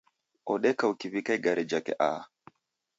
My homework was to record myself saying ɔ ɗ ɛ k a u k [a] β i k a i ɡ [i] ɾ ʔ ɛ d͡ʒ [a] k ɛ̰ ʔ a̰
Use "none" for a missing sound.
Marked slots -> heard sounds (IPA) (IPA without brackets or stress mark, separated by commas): i, a, a